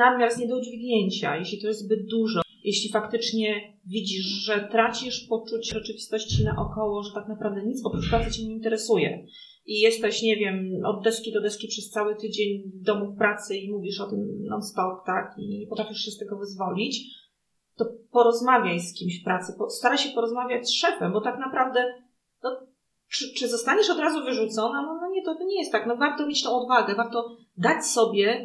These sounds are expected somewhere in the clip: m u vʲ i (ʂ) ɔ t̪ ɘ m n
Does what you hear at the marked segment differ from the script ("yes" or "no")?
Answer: no